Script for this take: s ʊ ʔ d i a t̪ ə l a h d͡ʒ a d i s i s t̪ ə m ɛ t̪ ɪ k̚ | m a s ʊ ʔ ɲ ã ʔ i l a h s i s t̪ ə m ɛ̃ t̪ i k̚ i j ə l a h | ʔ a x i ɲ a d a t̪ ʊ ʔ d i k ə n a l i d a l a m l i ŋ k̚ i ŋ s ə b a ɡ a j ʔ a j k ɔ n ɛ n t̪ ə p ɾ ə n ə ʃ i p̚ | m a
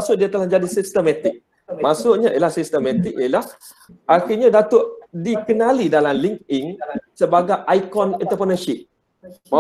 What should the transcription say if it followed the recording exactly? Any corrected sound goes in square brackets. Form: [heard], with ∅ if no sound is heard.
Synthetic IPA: s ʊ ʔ d i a t̪ ə l a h d͡ʒ a d i s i s t̪ ə m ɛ t̪ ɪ k̚ | m a s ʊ ʔ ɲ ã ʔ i l a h s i s t̪ ə m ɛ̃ t̪ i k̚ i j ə l a h | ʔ a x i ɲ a d a t̪ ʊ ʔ d i k ə n a l i d a l a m l i ŋ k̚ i ŋ s ə b a ɡ a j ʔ a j k ɔ n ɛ n t̪ ə p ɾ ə n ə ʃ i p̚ | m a

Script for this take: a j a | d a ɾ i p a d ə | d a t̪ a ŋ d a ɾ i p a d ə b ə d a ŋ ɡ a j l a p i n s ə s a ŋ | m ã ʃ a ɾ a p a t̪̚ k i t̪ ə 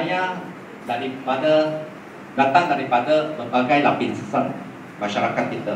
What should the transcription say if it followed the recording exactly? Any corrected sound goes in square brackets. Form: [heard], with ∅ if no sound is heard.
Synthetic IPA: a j a | d a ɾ i p a d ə | d a t̪ a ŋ d a ɾ i p a d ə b ə [b] a [∅] ɡ a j l a p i n s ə s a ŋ | m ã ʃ a ɾ a [k] a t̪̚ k i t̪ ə

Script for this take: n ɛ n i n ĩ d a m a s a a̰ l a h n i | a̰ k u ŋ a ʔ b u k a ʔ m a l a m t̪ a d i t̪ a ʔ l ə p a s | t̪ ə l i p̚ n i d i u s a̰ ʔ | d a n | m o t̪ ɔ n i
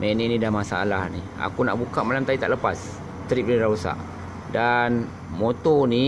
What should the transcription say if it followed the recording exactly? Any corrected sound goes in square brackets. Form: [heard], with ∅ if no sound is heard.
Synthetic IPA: [m] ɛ n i n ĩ d a m a s a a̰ l a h n i | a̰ k u [n] a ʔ b u k a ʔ m a l a m t̪ a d i t̪ a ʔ l ə p a s | t̪ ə [ɾ] i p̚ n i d [a] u s a̰ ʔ | d a n | m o t̪ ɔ n i

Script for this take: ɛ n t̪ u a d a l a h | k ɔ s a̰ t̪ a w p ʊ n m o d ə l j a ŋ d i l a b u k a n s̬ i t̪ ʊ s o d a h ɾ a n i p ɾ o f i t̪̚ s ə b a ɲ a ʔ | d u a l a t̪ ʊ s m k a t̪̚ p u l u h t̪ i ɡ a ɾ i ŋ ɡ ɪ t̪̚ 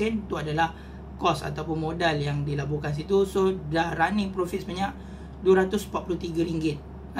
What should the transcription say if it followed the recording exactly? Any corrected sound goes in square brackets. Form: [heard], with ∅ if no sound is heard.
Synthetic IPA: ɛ n t̪ u a d a l a h | k ɔ s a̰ t̪ a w p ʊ n m o d [a] l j a ŋ d i l a b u k a n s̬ i t̪ [u] s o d a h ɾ a n i p ɾ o f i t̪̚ s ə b a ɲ a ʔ | d u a [ɾ] a t̪ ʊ s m [p] a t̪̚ p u l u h t̪ i ɡ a ɾ i ŋ ɡ ɪ t̪̚

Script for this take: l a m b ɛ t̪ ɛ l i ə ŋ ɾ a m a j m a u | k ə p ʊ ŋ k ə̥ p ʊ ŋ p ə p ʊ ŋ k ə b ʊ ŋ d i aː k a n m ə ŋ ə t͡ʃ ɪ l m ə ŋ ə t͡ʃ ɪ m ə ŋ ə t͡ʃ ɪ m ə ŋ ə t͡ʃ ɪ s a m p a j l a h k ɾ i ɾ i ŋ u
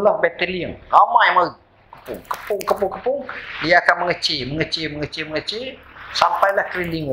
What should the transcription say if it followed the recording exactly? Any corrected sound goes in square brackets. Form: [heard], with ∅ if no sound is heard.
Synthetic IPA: l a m b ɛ t̪ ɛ l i ə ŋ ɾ a m a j m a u | k ə p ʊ ŋ k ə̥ p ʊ ŋ [k] ə p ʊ ŋ k ə [p] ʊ ŋ d i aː k a n m ə ŋ ə t͡ʃ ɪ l m ə ŋ ə t͡ʃ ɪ m ə ŋ ə t͡ʃ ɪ m ə ŋ ə t͡ʃ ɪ s a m p a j l a h k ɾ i [l] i ŋ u

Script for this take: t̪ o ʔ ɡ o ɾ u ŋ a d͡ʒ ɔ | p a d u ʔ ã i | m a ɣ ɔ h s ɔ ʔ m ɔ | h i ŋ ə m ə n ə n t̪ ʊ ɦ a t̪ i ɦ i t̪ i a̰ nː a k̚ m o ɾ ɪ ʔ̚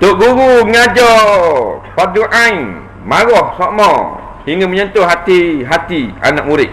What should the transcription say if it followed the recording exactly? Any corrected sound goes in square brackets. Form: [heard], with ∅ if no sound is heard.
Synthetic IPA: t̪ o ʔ ɡ [u] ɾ u ŋ a d͡ʒ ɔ | p a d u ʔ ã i | m a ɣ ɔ h s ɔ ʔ m ɔ | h i ŋ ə m ə [ɲ] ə n t̪ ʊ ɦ a t̪ i ɦ [a] t̪ i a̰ [n] a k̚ m [u] ɾ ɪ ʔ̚

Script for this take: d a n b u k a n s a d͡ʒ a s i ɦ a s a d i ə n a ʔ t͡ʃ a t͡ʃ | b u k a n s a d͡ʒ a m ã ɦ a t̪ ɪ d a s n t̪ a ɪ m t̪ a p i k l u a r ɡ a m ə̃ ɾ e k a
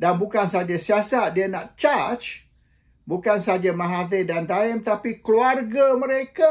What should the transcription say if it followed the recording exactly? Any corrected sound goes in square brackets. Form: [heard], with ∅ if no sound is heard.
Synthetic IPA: d a n b u k a n s a d͡ʒ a s i [∅] a s a d i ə n a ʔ t͡ʃ a t͡ʃ | b u k a n s a d͡ʒ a m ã ɦ a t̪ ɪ d a [∅] n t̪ a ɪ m t̪ a p i k l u a r ɡ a m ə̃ ɾ e k a

